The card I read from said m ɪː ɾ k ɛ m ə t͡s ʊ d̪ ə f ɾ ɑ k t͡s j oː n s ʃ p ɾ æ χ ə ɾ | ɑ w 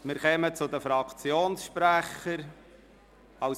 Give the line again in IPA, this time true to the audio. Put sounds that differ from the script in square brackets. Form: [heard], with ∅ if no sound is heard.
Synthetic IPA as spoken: m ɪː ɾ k ɛ m ə t͡s ʊ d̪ ə f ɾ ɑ k t͡s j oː n s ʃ p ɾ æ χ ə ɾ | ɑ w